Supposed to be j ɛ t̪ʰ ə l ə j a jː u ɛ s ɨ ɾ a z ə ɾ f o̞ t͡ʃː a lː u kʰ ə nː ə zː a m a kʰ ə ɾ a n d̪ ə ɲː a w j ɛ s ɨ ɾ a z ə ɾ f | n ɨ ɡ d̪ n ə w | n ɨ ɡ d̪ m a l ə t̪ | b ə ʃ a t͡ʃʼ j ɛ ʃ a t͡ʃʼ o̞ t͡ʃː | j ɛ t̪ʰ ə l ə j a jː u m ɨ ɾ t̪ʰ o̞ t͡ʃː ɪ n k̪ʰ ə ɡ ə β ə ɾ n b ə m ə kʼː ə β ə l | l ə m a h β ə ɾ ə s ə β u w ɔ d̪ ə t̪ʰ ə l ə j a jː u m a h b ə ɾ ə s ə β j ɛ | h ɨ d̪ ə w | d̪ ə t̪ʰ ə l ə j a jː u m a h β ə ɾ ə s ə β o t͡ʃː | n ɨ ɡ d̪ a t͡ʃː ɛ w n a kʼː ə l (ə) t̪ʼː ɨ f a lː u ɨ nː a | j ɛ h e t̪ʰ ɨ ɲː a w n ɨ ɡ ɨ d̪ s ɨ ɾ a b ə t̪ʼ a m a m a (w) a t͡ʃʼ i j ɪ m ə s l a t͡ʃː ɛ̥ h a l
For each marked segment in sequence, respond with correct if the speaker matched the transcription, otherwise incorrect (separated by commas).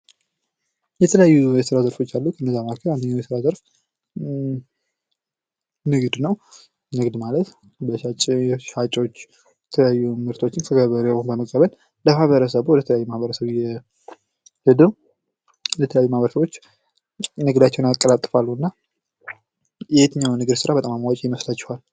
incorrect, correct